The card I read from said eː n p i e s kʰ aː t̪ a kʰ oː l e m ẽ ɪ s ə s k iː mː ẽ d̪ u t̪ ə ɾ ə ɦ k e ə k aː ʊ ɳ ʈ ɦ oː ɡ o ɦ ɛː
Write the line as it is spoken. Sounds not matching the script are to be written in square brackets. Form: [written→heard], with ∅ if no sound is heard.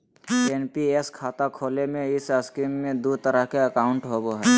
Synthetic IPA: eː n p i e s kʰ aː t̪ a kʰ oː l e m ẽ ɪ s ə s k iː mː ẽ d̪ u t̪ ə ɾ ə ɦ k e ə k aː ʊ ɳ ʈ ɦ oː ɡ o ɦ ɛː